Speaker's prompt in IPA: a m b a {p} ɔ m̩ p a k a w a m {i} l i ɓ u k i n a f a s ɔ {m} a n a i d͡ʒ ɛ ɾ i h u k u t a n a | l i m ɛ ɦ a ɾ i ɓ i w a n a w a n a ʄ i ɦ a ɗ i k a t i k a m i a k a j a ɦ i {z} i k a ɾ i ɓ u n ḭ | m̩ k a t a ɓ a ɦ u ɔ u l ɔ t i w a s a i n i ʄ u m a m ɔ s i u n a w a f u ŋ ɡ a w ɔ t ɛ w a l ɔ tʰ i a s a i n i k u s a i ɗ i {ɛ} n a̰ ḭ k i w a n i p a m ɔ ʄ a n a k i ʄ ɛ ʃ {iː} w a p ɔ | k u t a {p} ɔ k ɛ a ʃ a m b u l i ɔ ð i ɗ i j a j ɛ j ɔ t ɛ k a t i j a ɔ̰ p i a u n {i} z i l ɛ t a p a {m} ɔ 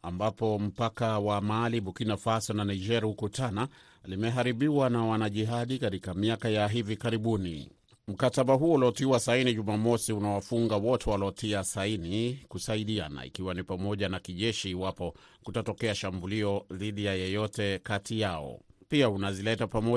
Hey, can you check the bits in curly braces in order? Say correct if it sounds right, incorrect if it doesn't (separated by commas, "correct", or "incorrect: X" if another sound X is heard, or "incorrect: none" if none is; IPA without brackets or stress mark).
correct, incorrect: a, incorrect: n, incorrect: v, incorrect: a, correct, incorrect: t, incorrect: a, correct